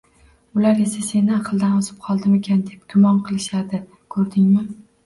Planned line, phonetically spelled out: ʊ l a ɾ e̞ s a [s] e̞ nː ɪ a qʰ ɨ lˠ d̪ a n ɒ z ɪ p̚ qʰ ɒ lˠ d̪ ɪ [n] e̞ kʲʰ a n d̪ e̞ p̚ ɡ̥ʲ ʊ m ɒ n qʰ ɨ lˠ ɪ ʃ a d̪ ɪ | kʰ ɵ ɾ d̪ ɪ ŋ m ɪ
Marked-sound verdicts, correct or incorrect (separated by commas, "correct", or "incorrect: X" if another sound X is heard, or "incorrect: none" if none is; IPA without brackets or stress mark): correct, incorrect: m